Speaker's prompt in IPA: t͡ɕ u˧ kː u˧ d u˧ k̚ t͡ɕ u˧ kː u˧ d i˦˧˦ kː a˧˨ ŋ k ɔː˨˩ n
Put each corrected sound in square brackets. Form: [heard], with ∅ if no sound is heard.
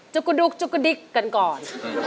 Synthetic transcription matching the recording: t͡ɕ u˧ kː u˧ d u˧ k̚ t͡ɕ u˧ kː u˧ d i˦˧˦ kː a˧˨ [n] k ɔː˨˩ n